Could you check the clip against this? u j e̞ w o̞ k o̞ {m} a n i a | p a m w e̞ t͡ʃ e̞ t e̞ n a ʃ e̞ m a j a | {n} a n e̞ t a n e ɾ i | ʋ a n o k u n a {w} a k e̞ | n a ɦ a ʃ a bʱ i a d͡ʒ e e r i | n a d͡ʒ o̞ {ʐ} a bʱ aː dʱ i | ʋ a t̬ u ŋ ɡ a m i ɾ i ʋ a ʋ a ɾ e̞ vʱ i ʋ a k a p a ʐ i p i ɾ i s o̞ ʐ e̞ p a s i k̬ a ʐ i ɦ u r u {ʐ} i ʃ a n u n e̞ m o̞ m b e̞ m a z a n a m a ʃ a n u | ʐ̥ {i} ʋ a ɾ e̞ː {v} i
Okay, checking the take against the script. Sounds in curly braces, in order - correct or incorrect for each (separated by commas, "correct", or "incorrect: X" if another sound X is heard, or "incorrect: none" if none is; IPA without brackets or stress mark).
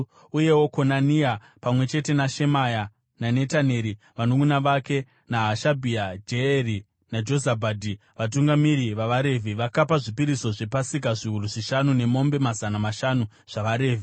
incorrect: n, correct, incorrect: ʋ, incorrect: z, correct, incorrect: a, correct